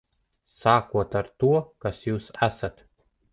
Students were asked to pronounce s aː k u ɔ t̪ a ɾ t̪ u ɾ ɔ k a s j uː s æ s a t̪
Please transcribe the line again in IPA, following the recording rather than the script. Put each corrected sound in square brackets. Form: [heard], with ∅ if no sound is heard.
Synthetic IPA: s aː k u ɔ t̪ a ɾ t̪ u [∅] ɔ k a s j uː s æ s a t̪